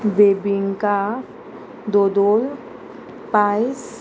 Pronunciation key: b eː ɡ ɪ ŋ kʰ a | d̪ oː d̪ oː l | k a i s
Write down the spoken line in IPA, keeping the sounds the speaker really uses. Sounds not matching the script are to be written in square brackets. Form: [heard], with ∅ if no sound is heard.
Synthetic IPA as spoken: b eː [b] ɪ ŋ [k] a | d̪ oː d̪ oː l | [p] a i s

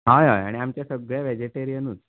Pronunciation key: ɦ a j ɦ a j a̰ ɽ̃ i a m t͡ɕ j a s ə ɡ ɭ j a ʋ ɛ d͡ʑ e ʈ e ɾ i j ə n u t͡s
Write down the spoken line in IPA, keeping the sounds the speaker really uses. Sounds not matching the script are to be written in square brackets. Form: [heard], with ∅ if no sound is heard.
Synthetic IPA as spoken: ɦ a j ɦ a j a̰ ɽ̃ i a m t͡ɕ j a s ə ɡ ɭ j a ʋ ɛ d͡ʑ e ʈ e ɾ i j ə n u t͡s

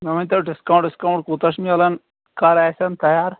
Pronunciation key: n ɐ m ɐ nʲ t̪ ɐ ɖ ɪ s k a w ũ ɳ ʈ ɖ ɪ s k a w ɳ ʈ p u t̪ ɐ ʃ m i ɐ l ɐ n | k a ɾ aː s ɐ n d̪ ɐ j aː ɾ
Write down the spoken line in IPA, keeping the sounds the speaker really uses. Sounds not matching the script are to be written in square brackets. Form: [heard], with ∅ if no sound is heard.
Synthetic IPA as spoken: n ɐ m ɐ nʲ t̪ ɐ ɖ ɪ s k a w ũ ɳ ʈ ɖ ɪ s k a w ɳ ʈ [k] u t̪ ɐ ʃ m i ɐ l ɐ n | k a ɾ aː s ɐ n [t̪] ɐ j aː ɾ

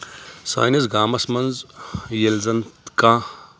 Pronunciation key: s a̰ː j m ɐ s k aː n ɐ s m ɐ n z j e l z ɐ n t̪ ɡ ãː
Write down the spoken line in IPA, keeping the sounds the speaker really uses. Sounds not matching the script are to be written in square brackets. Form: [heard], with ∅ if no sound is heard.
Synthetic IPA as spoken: s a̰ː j [n] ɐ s [ɡ] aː [m] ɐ s m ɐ n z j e l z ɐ n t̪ [k] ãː

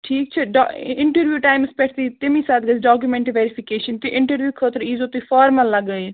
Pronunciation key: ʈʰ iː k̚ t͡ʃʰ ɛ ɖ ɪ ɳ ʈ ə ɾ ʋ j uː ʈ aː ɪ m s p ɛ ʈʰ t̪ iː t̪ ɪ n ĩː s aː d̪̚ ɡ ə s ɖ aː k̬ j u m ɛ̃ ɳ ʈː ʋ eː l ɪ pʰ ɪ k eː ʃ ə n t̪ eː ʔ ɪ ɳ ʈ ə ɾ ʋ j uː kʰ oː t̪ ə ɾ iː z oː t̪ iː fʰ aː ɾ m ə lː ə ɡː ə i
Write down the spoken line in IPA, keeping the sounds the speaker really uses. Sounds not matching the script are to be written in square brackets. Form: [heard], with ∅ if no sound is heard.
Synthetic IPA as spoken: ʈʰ iː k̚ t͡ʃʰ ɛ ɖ ɪ ɳ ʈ ə ɾ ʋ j uː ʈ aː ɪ m s p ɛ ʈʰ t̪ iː t̪ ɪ [m] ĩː s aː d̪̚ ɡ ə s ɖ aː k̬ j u m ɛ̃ ɳ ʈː ʋ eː [ɾ] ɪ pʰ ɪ k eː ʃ ə n t̪ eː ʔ ɪ ɳ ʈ ə ɾ ʋ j uː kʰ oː t̪ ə ɾ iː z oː t̪ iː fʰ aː ɾ m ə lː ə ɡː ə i

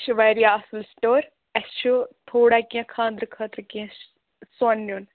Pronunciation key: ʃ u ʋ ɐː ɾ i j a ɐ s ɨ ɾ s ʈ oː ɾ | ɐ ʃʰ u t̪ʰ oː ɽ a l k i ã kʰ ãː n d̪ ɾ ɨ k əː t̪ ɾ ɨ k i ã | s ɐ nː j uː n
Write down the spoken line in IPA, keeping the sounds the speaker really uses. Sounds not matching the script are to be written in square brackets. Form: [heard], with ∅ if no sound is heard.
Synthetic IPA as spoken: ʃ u ʋ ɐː ɾ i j a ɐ s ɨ [l] s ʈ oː ɾ | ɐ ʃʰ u t̪ʰ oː ɽ a [∅] k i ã kʰ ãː n d̪ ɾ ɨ [kʰ] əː t̪ ɾ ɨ k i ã | s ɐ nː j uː n

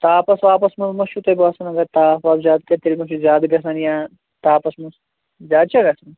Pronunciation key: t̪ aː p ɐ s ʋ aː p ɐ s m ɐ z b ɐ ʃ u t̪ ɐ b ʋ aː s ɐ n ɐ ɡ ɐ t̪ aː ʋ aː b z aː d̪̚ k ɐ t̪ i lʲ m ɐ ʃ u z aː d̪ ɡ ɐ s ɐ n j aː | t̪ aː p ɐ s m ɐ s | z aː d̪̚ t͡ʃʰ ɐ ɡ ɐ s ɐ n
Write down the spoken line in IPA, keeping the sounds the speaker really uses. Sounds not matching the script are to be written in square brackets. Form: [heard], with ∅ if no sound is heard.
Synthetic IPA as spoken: t̪ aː p ɐ s ʋ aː p ɐ s m ɐ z [m] ɐ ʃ u t̪ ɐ b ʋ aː s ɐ n ɐ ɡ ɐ t̪ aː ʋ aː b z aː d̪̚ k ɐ t̪ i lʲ m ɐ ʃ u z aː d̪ ɡ ɐ s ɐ n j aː | t̪ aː p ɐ s m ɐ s | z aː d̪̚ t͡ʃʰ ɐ ɡ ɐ s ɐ n

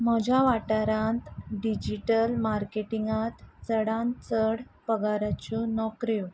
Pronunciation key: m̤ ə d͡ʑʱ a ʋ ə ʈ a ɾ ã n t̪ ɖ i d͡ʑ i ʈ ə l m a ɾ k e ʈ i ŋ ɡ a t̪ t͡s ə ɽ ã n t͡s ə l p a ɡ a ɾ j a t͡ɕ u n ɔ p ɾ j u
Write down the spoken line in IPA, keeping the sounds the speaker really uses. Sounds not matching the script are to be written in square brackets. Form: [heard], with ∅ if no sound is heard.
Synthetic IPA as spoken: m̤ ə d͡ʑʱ a ʋ [a] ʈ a ɾ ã n t̪ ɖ i d͡ʑ i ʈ ə l m a ɾ k e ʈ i ŋ ɡ a t̪ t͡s ə ɽ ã n t͡s ə [ɽ] p [ə] ɡ a ɾ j a t͡ɕ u n ɔ [k] ɾ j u

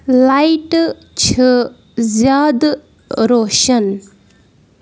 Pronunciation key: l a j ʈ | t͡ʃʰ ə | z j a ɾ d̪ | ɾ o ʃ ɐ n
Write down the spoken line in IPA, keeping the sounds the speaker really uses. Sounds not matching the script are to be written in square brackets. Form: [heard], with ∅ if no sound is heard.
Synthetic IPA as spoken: l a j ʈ | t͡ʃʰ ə | z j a [∅] d̪ | ɾ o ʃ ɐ n

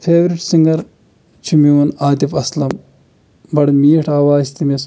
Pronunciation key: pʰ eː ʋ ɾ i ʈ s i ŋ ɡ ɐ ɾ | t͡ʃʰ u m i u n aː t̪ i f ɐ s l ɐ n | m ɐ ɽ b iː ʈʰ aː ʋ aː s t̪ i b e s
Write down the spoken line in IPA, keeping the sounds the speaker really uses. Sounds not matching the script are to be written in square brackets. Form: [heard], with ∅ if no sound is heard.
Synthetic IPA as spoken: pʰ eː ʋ ɾ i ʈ s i ŋ ɡ ɐ ɾ | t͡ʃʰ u m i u n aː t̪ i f ɐ s l ɐ [m] | [b] ɐ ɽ [m] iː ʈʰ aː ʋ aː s t̪ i [m] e s

